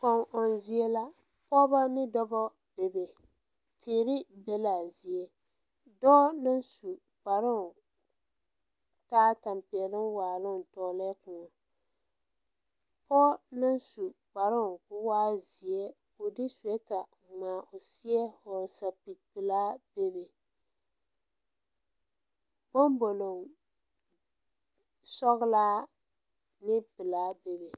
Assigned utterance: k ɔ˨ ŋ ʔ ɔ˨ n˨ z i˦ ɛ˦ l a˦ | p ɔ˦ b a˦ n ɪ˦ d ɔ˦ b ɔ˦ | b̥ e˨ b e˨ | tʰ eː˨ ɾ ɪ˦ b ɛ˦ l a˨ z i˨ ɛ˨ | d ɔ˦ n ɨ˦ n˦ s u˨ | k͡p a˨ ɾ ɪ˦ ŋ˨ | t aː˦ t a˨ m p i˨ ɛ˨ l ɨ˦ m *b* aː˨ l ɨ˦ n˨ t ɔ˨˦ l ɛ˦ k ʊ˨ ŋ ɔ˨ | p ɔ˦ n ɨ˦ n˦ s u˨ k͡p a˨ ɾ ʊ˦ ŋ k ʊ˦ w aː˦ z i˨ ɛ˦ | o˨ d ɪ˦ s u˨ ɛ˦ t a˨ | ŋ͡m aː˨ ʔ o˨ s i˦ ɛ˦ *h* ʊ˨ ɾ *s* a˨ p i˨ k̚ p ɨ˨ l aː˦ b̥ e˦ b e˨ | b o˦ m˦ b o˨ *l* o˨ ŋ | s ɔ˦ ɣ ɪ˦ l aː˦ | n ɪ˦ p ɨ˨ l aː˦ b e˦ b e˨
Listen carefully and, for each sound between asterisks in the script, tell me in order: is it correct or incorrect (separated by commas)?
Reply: incorrect, correct, correct, correct